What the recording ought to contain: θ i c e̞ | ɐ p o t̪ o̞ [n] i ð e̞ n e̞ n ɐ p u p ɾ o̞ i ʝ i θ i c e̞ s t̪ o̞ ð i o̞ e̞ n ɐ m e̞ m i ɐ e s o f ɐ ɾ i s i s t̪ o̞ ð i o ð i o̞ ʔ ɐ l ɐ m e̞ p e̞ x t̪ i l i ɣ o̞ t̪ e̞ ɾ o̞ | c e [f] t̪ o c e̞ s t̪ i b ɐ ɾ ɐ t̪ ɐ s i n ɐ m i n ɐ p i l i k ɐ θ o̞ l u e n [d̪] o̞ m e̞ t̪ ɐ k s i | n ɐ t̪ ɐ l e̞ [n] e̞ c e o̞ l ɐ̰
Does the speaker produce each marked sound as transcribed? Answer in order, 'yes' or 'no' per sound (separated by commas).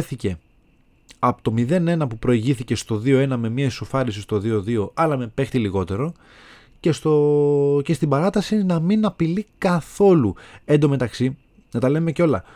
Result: no, no, yes, no